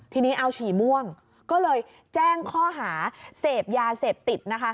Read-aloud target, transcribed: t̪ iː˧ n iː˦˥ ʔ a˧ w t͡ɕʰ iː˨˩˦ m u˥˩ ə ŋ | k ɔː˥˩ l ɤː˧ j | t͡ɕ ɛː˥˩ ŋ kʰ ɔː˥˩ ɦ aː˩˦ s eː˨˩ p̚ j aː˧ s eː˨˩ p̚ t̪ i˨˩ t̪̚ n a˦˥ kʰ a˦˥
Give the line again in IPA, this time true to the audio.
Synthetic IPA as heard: t̪ʰ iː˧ n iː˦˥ ʔ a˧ w t͡ɕʰ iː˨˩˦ m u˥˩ ə ŋ | k ɔː˥˩ l ɤː˧ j | t͡ɕ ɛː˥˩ ŋ kʰ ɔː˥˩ ɦ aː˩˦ s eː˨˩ p̚ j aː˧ s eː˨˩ p̚ t̪ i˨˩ t̪̚ n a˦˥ kʰ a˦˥

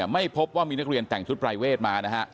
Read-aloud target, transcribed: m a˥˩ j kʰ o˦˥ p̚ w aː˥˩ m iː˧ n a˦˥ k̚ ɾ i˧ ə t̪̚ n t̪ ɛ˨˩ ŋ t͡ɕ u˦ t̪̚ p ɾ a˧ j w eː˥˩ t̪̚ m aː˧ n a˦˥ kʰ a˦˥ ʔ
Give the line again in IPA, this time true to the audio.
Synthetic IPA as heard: m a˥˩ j pʰ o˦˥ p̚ w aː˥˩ m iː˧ n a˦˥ k̚ ɾ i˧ ə n t̪ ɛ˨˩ ŋ t͡ɕʰ u˦ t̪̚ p ɾ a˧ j w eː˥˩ t̪̚ m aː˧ n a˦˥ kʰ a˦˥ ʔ

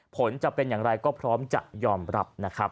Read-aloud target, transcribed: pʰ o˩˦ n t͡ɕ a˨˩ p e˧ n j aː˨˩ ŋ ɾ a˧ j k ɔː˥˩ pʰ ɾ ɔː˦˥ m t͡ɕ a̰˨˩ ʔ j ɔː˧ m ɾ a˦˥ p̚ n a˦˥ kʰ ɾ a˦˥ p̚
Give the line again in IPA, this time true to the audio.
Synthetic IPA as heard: pʰ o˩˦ n t͡ɕ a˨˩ p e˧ n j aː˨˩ ŋ ɾ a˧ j k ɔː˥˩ pʰ ɾ ɔː˦˥ m t͡ɕ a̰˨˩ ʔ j ɔː˧ m ɾ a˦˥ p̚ n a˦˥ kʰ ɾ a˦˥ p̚

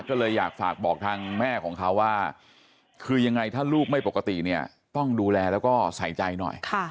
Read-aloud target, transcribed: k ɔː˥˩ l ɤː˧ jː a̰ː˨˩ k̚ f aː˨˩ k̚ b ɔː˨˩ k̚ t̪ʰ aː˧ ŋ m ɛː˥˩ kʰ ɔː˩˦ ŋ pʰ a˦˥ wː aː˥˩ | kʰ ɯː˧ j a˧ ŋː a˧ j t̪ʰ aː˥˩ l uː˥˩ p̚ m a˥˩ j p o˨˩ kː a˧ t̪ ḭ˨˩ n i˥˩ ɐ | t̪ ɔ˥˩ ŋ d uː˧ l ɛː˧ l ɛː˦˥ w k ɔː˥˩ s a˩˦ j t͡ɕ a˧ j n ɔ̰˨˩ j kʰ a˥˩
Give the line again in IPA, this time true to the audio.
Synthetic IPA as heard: k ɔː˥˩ l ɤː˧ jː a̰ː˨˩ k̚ f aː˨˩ k̚ b ɔː˨˩ k̚ t̪ʰ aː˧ ŋ m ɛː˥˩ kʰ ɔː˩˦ ŋ kʰ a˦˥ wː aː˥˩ | kʰ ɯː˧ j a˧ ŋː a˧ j t̪ʰ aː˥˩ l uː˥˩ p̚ m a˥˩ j p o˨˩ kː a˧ t̪ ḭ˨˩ n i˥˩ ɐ | t̪ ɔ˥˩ ŋ d uː˧ l ɛː˧ l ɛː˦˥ w k ɔː˥˩ s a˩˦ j t͡ɕ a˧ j n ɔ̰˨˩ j kʰ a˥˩

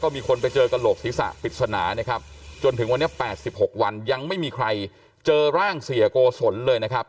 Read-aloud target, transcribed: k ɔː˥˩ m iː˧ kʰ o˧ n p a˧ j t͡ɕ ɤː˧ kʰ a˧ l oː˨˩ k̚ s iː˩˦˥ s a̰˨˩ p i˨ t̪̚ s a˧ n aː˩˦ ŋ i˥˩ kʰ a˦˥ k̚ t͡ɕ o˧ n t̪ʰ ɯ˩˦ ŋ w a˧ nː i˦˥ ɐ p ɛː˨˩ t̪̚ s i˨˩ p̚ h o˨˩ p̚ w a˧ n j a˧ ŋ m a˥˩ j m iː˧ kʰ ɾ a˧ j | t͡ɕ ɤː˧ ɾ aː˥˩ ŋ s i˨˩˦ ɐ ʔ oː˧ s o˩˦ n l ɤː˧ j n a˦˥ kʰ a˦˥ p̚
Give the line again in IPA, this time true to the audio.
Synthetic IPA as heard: k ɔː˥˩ m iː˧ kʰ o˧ n p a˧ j t͡ɕ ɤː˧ k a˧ l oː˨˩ k̚ s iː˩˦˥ s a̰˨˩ p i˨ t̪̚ s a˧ n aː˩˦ n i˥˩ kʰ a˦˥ p̚ t͡ɕ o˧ n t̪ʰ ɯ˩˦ ŋ w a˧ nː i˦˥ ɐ p ɛː˨˩ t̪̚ s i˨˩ p̚ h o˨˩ k̚ w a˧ n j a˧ ŋ m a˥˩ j m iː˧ kʰ ɾ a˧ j | t͡ɕ ɤː˧ ɾ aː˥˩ ŋ s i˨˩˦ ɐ k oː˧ s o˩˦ n l ɤː˧ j n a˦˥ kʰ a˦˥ p̚

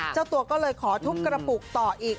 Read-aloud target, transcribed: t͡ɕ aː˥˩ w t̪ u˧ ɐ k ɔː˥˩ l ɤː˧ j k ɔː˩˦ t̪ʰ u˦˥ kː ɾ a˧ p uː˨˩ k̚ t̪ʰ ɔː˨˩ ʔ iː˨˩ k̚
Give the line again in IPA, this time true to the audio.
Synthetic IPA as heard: t͡ɕ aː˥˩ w t̪ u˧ ɐ k ɔː˥˩ l ɤː˧ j kʰ ɔː˩˦ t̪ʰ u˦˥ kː ɾ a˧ p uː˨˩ k̚ t̪ ɔː˨˩ ʔ iː˨˩ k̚

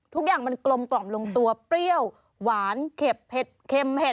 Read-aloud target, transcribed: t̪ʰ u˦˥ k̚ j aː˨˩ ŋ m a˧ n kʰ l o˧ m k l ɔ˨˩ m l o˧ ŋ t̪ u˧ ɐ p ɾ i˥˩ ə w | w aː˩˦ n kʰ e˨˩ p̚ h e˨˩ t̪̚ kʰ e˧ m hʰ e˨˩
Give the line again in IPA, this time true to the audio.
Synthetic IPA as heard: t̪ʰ u˦˥ k̚ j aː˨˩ ŋ m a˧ n k l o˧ m k l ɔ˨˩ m l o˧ ŋ t̪ u˧ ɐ p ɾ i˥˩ ə w | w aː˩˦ n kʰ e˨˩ p̚ h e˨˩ t̪̚ kʰ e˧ m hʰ e˨˩

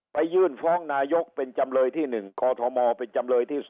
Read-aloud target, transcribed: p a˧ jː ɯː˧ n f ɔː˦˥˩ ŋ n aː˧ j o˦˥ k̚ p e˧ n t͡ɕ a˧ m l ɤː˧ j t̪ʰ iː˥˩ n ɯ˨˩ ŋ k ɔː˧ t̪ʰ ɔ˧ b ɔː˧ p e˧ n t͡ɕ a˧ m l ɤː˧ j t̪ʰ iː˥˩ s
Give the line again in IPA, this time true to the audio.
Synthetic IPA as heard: p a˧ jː ɯː˧˥˩ n f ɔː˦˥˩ ŋ n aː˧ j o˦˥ k̚ p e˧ n t͡ɕ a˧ m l ɤː˧ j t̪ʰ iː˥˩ n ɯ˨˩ ŋ k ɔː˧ t̪ʰ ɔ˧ m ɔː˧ p e˧ n t͡ɕ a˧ m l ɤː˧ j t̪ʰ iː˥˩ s

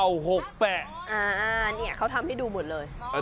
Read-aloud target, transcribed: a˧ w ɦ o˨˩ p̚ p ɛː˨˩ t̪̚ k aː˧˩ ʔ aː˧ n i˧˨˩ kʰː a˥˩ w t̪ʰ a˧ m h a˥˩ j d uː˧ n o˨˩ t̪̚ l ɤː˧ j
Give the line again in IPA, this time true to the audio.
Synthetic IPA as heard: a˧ w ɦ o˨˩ k̚ p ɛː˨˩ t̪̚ ʔ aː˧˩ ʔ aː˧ n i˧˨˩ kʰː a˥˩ w t̪ʰ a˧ m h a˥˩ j d uː˧ m o˨˩ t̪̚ l ɤː˧ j

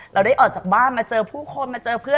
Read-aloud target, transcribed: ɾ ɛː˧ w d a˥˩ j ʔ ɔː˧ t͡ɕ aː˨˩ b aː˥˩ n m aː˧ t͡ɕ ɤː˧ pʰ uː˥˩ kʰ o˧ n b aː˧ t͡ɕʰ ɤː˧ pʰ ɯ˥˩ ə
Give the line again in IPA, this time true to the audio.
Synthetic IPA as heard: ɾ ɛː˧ w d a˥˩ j ʔ ɔː˨˩ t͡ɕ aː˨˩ b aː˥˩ n m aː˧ t͡ɕ ɤː˧ pʰ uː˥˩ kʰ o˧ n m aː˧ t͡ɕ ɤː˧ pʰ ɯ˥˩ ə

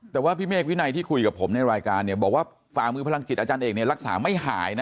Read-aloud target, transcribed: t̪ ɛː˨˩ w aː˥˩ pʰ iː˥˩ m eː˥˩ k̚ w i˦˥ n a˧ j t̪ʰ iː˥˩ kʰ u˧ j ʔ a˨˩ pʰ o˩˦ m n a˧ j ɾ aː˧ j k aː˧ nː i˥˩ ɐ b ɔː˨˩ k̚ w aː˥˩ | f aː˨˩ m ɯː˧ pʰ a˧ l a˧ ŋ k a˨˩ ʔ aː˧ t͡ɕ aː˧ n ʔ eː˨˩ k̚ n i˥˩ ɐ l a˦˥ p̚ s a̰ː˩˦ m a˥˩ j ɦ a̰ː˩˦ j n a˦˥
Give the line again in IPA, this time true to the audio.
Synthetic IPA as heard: t̪ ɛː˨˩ w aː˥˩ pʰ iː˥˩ m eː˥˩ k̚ w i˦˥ n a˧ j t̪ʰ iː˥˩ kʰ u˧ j k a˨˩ pʰ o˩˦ m n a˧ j ɾ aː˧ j k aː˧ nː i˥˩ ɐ b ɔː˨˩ k̚ w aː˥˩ | f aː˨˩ m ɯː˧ pʰ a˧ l a˧ ŋ k i˨˩ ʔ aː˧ t͡ɕ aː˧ n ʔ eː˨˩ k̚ n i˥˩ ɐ ɾ a˦˥ k̚ s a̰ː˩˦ m a˥˩ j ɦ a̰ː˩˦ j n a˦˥

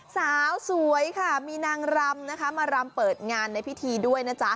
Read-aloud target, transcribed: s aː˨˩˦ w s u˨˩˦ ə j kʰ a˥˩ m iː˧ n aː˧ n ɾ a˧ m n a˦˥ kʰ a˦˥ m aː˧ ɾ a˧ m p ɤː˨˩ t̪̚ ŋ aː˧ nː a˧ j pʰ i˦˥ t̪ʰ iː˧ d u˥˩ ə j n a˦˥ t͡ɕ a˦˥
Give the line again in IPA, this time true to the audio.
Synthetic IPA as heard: s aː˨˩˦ w s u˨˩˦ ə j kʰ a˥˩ m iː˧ n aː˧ ŋ ɾ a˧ m n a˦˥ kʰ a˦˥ m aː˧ ɾ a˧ m p ɤː˨˩ t̪̚ ŋ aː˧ nː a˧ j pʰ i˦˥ t̪ʰ iː˧ d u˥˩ ə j n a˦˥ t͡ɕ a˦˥

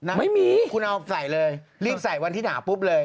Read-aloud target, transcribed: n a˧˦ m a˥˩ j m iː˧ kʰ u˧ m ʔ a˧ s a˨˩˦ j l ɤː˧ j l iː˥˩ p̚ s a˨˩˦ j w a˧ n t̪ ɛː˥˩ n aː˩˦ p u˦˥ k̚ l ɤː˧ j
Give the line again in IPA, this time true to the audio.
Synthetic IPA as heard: n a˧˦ m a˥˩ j m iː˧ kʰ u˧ n ʔ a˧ s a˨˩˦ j l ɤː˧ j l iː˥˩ p̚ s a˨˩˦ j w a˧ n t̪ iː˥˩ n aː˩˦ p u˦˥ p̚ l ɤː˧ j

